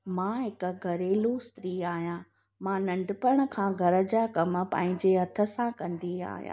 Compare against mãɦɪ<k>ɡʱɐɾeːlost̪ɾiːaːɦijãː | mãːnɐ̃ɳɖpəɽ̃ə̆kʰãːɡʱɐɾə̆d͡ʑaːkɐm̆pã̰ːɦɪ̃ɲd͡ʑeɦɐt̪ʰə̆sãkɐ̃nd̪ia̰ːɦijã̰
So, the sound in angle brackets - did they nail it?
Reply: yes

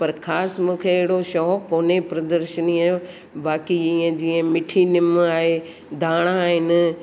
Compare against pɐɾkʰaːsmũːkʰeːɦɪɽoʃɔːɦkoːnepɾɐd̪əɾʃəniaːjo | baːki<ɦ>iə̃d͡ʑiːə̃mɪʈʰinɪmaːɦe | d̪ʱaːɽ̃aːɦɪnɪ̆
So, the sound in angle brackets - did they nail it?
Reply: no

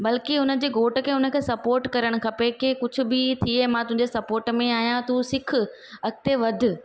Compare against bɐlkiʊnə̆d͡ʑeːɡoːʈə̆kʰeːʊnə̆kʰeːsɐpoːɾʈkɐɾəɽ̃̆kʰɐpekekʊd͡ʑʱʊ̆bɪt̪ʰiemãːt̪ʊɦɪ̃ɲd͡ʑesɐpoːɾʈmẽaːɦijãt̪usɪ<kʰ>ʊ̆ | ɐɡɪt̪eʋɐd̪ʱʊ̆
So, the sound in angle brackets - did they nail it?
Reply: yes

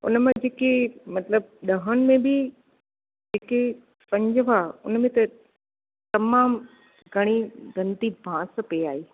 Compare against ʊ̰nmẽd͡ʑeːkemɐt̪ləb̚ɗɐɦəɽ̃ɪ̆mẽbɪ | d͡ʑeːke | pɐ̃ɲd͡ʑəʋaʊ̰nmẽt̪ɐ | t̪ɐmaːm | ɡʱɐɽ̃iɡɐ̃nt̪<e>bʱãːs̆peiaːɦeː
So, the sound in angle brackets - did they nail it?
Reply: no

